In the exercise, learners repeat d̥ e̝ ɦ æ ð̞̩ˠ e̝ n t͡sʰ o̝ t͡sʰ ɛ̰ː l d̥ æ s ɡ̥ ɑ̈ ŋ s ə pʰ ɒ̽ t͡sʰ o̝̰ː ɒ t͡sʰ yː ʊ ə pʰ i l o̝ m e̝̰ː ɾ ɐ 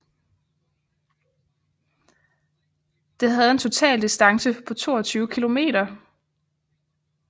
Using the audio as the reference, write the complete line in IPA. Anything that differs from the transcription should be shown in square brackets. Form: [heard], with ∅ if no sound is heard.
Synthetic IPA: d̥ e̝ ɦ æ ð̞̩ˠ e̝ n t͡sʰ o̝ t͡sʰ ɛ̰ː l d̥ [i] s [d̥] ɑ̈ ŋ s ə pʰ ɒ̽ t͡sʰ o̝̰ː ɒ t͡sʰ yː ʊ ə [kʰ] i l o̝ m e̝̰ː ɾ ɐ